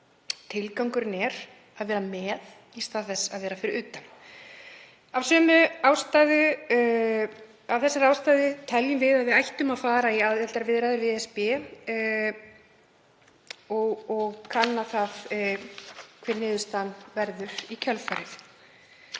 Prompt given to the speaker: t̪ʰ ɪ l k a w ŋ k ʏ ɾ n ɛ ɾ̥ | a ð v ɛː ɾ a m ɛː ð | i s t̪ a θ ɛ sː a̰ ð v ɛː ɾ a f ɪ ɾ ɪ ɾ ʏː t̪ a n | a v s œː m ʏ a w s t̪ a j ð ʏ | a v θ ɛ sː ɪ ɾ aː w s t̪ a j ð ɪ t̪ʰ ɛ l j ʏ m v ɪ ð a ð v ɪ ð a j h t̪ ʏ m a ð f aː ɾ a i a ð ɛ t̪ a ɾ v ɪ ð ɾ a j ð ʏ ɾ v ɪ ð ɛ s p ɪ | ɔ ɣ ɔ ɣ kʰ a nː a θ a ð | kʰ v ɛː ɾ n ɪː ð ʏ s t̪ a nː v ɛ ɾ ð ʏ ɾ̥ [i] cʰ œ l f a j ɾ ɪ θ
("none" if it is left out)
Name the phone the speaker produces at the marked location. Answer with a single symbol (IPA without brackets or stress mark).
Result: i